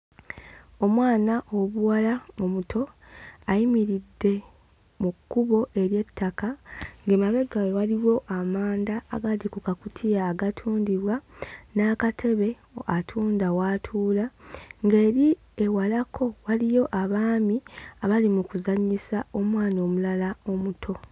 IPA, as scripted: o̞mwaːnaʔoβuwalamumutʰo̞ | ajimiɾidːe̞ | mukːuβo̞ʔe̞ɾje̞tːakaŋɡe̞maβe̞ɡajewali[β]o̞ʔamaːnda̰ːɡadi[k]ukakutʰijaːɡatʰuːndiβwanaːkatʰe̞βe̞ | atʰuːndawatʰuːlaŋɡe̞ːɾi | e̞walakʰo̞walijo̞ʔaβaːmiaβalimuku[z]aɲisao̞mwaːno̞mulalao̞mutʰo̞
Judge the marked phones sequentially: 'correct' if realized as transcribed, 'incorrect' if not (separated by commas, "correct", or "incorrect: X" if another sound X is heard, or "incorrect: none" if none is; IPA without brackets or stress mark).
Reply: incorrect: w, correct, correct